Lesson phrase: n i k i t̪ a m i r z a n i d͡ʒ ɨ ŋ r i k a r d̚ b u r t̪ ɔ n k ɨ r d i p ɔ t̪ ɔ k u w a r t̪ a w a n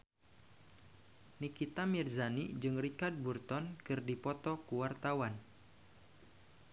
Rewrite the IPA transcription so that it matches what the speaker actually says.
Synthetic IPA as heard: n i k i t̪ a m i r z a n i d͡ʒ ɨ ŋ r i k a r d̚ b u r t̪ ɔ n k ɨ r d i p ɔ t̪ ɔ k u w a r t̪ a w a n